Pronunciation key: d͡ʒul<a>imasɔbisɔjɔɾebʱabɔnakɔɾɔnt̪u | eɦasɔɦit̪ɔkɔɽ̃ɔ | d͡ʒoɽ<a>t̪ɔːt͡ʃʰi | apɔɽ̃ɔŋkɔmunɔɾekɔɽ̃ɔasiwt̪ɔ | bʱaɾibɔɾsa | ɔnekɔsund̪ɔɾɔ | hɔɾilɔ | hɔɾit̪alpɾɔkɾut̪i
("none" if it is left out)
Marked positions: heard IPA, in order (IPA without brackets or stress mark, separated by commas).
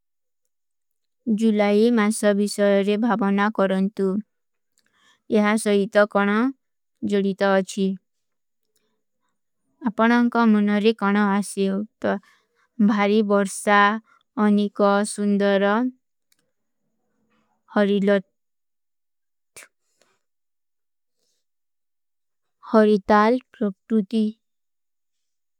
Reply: a, i